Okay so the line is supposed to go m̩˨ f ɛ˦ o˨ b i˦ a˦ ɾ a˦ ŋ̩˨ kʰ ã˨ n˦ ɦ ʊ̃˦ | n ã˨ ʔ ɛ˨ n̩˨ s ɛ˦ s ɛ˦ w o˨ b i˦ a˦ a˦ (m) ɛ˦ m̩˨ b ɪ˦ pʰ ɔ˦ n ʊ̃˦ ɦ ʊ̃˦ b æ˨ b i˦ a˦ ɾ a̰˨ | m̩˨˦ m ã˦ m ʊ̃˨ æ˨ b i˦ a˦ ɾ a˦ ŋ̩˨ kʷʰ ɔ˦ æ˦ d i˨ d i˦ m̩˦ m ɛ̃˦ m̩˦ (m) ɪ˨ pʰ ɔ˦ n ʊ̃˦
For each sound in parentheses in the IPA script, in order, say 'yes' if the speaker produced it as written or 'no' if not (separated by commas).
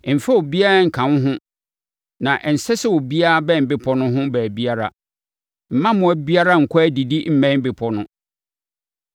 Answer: no, no